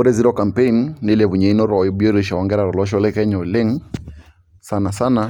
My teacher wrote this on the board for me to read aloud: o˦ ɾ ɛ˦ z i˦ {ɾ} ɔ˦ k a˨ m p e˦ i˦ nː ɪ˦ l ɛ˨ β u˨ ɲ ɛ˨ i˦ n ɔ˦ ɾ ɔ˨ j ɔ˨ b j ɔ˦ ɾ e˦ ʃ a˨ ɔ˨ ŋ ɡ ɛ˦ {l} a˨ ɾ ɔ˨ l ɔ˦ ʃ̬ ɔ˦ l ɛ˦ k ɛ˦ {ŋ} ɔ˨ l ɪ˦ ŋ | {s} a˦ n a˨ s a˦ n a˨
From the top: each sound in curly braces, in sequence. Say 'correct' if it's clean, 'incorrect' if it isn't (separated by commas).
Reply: correct, incorrect, incorrect, correct